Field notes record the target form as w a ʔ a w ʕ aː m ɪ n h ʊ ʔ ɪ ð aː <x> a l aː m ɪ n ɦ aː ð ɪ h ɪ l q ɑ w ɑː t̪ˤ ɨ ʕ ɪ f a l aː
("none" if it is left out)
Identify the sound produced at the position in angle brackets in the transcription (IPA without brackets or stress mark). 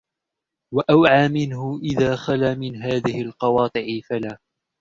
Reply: x